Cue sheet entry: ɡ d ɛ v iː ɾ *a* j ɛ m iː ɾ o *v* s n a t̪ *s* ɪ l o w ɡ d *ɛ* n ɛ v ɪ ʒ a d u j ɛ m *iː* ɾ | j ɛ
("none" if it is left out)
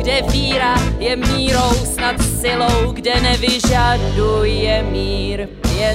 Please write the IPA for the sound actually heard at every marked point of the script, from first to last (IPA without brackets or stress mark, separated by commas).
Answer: a, w, s, ɛ, iː